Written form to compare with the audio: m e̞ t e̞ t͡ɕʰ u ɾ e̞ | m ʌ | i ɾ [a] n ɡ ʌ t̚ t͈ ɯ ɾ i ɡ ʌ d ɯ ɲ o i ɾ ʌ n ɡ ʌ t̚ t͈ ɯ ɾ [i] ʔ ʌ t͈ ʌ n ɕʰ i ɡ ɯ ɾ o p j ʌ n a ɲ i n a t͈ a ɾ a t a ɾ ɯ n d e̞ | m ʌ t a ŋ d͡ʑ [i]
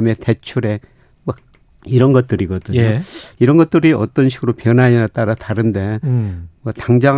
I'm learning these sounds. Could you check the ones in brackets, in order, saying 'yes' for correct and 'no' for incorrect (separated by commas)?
no, yes, no